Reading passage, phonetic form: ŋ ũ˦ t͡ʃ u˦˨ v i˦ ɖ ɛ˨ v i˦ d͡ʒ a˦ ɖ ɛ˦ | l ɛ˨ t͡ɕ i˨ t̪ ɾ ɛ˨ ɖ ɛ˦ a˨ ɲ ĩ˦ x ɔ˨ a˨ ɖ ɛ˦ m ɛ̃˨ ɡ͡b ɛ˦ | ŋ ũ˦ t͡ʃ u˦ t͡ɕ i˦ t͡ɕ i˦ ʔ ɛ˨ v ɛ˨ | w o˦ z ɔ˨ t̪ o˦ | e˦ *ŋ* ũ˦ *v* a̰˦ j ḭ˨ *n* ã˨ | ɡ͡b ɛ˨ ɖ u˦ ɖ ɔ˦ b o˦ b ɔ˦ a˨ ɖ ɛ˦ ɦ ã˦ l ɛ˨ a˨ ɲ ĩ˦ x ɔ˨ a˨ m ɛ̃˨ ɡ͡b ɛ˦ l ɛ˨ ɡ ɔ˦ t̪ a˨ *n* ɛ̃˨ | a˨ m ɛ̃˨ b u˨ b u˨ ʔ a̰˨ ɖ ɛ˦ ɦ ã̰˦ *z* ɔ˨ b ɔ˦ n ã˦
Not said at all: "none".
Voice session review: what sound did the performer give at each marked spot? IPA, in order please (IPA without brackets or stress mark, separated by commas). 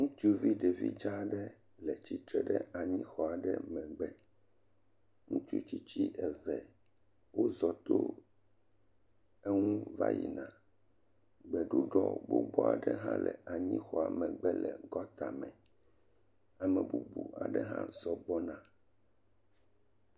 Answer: ŋ, v, n, m, z